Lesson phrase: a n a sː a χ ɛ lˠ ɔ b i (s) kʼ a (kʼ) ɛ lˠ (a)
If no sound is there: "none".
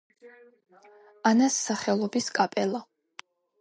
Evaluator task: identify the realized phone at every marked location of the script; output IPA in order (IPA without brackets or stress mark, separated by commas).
s, pʼ, a